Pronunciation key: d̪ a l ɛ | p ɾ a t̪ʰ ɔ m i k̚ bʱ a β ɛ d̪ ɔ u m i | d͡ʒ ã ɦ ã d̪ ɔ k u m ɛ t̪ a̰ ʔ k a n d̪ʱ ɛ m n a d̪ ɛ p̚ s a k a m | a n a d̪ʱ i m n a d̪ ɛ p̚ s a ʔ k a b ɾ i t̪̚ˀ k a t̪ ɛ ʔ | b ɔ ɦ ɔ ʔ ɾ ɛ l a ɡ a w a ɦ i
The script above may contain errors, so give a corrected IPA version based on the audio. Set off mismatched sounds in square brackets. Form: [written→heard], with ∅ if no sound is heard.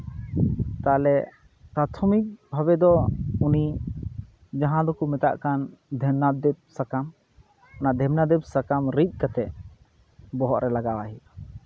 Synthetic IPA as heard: [d̪→t̪] a l ɛ | p ɾ a t̪ʰ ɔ m i k̚ bʱ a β ɛ d̪ ɔ u [m→n] i | d͡ʒ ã ɦ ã d̪ ɔ k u m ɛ t̪ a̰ ʔ k a n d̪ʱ ɛ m n a d̪ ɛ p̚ s a k a m | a n a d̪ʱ [i→ɛ] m n a d̪ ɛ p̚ s a [ʔ→∅] k a [b→m] ɾ i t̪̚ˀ k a t̪ ɛ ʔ | b ɔ ɦ ɔ ʔ ɾ ɛ l a ɡ a w a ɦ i